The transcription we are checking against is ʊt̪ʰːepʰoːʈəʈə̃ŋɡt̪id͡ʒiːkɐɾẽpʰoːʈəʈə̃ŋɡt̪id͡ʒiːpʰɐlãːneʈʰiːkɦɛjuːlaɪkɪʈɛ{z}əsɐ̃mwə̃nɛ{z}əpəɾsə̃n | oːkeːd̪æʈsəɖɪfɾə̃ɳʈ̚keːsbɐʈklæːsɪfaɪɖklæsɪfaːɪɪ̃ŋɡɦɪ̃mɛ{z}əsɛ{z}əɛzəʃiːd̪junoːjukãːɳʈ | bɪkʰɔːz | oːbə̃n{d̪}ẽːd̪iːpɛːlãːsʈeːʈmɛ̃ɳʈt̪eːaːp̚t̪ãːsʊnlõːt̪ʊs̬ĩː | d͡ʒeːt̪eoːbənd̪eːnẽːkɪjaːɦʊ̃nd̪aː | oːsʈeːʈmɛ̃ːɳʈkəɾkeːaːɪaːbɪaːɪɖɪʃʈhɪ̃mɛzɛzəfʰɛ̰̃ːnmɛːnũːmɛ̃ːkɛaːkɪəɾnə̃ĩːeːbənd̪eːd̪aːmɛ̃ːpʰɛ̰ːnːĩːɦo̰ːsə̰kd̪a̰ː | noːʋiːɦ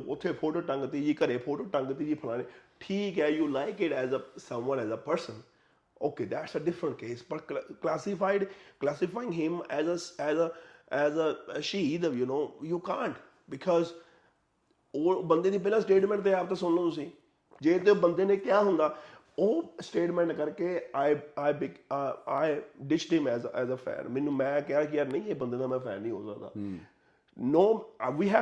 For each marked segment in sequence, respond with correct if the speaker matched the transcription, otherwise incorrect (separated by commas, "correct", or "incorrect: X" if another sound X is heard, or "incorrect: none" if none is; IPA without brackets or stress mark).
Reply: correct, correct, correct, correct, correct